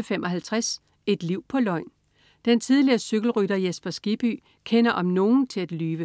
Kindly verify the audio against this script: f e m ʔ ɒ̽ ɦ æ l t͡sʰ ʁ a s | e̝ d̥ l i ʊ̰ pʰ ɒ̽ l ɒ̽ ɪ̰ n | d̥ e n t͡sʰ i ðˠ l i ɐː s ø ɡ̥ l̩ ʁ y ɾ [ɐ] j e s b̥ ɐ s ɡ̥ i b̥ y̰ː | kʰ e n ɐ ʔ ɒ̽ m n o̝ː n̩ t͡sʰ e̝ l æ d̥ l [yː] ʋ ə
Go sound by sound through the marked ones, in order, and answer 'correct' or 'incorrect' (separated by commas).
correct, correct